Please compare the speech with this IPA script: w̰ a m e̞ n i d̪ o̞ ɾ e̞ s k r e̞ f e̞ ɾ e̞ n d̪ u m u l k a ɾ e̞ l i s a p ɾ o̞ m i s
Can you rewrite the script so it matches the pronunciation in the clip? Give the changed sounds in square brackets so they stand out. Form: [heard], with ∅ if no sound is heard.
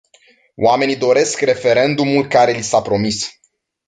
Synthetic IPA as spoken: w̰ a m e̞ n i d̪ o̞ ɾ e̞ s k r e̞ f e̞ ɾ e̞ n d̪ u m u l k a ɾ e̞ l i s a p ɾ o̞ m i s